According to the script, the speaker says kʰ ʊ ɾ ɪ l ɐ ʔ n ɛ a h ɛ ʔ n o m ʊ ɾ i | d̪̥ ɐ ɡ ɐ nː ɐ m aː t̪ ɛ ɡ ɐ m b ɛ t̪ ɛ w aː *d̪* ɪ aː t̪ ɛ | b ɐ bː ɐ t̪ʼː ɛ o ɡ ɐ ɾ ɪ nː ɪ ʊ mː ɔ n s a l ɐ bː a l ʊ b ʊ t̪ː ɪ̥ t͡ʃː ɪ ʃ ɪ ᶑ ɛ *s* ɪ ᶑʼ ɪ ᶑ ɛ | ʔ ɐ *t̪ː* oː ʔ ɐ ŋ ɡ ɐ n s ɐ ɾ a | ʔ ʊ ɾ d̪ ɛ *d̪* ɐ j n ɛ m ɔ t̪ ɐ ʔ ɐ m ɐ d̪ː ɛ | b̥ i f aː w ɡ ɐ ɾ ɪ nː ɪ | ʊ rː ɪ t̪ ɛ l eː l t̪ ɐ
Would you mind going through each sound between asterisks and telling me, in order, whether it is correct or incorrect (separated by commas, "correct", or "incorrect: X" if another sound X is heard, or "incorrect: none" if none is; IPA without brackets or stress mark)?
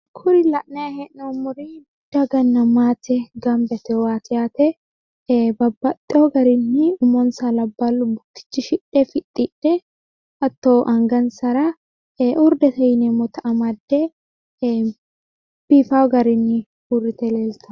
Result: incorrect: t̪, incorrect: f, correct, incorrect: t̪